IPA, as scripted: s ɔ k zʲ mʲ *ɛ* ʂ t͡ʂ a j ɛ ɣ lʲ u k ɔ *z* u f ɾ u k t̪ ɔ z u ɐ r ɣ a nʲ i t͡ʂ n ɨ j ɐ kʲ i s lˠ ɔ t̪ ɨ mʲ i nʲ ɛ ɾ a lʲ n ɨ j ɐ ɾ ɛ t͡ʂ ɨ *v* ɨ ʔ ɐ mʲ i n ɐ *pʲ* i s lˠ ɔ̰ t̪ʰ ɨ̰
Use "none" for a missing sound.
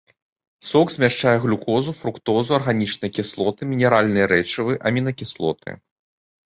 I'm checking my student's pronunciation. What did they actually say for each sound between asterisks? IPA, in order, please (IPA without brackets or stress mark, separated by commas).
a, z, v, kʲ